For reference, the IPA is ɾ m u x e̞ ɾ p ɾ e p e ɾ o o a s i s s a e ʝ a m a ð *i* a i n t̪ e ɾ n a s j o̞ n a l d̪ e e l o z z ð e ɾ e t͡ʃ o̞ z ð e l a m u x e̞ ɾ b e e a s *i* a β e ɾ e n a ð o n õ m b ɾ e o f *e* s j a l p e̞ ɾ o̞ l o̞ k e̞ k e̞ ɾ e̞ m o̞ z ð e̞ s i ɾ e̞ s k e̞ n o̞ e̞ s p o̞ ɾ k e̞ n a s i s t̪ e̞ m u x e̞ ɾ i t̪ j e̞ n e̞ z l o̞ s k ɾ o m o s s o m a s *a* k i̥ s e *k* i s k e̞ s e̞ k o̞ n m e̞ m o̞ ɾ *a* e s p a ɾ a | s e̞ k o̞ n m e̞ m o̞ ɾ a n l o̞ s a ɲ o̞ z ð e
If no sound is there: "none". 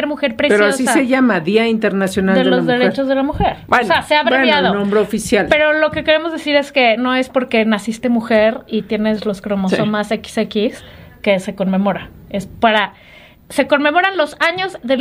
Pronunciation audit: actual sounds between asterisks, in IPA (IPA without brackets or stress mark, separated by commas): i, e, i, e, k, a